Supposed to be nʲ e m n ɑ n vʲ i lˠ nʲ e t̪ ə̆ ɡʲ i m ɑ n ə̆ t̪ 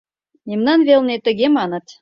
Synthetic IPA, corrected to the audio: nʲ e m n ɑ n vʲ e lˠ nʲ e t̪ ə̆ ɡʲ e m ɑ n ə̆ t̪